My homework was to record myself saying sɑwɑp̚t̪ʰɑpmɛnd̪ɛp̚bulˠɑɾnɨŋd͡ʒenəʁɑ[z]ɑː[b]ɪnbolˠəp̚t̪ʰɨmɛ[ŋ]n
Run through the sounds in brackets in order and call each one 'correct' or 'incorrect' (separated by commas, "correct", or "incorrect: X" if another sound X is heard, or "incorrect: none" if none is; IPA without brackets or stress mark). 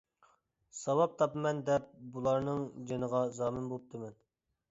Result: correct, incorrect: m, incorrect: none